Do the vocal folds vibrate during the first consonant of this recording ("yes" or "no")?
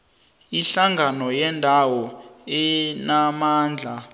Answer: no